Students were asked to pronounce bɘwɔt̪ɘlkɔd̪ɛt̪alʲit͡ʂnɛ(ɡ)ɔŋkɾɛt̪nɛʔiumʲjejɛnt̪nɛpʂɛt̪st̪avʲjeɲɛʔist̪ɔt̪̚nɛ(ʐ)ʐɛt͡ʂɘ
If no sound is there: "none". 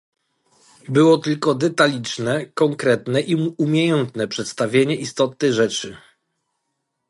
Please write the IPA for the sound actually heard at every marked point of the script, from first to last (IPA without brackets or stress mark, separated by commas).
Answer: k, ɣ